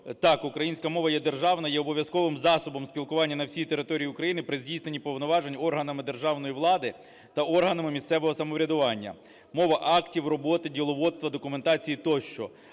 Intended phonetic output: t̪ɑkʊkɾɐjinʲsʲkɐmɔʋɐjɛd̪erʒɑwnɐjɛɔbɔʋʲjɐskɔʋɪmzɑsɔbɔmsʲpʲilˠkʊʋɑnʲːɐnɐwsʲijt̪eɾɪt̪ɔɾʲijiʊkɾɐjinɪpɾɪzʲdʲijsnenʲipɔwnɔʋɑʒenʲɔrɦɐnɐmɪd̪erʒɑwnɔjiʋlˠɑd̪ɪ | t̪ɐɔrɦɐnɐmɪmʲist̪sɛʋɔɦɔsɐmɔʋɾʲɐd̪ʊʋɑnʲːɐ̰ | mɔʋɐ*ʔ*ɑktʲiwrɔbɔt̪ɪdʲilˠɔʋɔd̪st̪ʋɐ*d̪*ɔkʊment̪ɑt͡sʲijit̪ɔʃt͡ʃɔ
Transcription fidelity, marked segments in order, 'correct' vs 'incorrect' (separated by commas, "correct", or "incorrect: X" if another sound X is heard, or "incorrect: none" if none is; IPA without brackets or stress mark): correct, correct